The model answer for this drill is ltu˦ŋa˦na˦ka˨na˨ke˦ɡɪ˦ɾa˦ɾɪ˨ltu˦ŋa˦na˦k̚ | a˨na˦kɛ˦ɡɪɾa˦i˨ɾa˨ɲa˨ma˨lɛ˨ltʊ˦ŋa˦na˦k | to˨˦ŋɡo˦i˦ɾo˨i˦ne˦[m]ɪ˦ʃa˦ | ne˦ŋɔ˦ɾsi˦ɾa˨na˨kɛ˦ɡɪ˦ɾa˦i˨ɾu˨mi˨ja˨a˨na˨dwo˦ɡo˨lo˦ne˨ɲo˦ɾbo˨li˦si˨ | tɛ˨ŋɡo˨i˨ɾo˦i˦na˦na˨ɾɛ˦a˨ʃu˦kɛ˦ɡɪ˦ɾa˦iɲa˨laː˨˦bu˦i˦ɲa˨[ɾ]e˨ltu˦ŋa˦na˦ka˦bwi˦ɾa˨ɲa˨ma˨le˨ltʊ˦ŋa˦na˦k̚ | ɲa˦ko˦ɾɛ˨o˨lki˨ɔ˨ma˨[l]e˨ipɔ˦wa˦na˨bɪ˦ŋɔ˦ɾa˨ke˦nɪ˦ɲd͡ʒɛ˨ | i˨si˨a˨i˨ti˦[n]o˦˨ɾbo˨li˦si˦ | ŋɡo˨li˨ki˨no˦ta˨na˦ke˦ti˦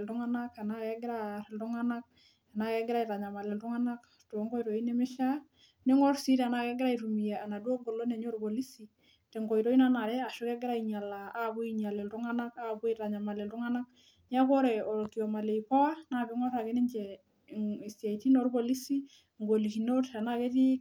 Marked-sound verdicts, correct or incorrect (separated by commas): correct, incorrect, correct, correct